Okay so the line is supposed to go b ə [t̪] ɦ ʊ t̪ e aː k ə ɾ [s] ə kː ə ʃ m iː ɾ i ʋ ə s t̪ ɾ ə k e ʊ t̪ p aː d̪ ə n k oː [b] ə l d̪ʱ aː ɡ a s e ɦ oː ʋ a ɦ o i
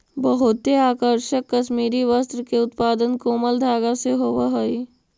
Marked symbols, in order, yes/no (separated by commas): no, no, no